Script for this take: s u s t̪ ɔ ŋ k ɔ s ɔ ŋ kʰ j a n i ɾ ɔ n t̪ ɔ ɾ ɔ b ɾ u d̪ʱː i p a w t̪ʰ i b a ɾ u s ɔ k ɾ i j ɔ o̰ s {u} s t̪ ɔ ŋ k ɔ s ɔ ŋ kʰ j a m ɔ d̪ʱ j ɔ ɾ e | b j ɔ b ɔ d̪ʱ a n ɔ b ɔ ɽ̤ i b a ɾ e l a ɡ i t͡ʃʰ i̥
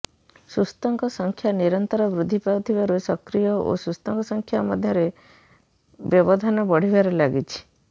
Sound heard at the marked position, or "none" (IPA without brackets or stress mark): u